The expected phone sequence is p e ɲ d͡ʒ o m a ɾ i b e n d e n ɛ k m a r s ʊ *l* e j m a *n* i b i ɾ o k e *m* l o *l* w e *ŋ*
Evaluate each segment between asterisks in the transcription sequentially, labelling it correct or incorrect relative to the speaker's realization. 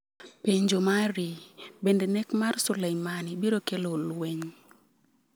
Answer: correct, correct, incorrect: none, correct, incorrect: ɲ

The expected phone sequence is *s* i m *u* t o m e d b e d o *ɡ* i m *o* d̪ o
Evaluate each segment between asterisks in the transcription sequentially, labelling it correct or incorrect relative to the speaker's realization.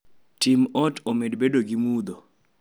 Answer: incorrect: t, incorrect: ɔ, correct, incorrect: u

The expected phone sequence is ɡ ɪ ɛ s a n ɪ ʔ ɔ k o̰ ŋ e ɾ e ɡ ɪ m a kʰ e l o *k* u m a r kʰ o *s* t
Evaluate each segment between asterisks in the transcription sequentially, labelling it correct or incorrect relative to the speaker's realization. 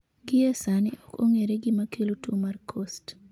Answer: incorrect: t, correct

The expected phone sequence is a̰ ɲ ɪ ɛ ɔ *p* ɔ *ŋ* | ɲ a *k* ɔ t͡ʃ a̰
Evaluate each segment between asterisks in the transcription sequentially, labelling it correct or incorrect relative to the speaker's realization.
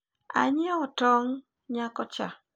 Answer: incorrect: t, correct, correct

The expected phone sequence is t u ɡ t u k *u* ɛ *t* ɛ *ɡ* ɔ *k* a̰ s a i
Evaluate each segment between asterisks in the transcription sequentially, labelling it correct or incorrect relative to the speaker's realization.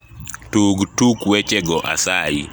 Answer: incorrect: w, incorrect: t͡ʃ, correct, incorrect: ʔ

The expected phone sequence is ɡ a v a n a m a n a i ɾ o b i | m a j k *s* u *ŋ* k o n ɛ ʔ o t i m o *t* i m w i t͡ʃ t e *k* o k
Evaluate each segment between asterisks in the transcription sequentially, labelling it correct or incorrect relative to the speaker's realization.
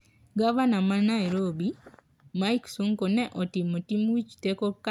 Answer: correct, correct, correct, correct

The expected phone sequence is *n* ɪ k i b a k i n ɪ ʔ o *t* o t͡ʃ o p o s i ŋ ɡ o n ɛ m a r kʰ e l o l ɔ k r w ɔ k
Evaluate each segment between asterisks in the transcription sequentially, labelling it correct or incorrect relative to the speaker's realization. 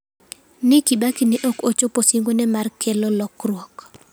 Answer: correct, incorrect: k

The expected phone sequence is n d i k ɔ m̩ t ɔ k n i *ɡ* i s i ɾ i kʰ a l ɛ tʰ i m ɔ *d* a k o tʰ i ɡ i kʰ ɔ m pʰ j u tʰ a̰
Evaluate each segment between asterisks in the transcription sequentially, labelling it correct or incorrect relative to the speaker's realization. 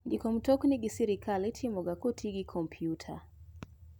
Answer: correct, incorrect: ɡ

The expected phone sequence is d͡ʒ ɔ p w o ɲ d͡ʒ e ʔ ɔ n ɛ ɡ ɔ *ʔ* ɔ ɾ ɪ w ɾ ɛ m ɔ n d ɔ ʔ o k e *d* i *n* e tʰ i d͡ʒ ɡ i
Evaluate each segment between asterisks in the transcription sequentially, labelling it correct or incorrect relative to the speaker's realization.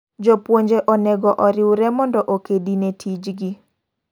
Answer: correct, correct, correct

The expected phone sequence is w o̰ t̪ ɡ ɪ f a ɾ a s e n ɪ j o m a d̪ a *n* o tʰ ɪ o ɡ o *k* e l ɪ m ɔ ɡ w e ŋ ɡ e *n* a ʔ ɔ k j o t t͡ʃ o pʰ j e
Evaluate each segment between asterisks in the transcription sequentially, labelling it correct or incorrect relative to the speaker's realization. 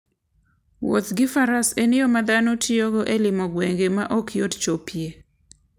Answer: correct, incorrect: ʔ, incorrect: m

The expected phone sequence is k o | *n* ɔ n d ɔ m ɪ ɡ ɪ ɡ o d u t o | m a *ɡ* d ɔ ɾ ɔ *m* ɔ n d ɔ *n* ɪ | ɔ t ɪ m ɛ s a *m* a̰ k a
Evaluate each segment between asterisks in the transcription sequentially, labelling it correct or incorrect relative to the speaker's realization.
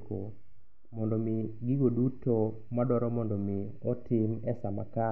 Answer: incorrect: m, incorrect: none, correct, incorrect: m, correct

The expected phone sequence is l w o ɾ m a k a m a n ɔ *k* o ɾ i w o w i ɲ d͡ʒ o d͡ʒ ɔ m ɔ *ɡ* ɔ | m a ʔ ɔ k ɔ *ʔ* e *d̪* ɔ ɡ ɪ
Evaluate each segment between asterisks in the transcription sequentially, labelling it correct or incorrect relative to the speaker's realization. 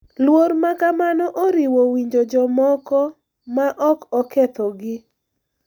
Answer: incorrect: ʔ, incorrect: k, incorrect: k, incorrect: t̪

